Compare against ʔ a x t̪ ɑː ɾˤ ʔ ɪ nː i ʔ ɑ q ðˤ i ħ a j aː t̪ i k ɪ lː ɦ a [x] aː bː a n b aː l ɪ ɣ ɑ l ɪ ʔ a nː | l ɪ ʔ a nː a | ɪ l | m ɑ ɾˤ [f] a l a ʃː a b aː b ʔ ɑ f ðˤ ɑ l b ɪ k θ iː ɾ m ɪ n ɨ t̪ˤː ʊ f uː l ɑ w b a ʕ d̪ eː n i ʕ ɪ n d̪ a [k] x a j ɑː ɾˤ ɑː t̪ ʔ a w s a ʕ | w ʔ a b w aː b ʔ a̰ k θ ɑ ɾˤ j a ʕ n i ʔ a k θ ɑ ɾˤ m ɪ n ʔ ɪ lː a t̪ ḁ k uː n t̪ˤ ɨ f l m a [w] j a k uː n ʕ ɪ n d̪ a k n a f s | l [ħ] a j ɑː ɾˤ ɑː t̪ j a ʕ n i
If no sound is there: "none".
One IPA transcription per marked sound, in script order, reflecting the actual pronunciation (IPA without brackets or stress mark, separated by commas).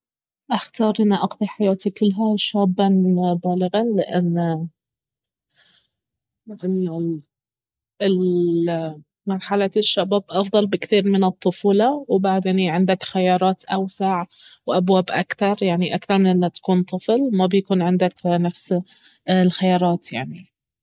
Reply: ʃ, ħ, k, b, x